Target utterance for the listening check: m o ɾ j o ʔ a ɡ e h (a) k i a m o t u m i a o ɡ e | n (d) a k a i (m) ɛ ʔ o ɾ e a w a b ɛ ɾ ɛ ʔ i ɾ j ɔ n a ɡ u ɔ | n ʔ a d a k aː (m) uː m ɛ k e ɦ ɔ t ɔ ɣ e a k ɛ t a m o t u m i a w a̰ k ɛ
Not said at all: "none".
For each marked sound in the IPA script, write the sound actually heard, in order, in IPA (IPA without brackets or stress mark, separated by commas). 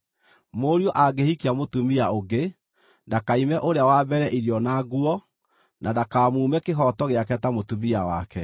i, d, m, m